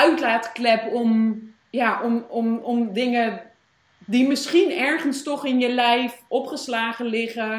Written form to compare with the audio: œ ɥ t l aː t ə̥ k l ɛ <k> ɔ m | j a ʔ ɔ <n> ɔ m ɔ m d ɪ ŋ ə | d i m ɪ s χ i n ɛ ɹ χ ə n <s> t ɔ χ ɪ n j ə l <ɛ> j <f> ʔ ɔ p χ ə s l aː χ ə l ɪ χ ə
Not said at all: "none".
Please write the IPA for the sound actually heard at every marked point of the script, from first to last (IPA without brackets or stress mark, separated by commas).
p, m, s, ɛ, f